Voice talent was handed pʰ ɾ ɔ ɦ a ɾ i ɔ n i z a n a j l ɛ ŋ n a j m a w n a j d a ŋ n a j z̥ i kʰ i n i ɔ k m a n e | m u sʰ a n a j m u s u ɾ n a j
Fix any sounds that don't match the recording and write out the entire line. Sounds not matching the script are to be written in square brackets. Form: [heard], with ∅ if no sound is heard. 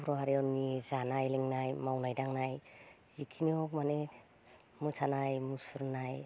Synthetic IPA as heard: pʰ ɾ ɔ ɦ a ɾ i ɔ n i z a n a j l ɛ ŋ n a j m a w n a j d a ŋ n a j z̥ i kʰ i n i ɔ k m a n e | m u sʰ a n a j m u s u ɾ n a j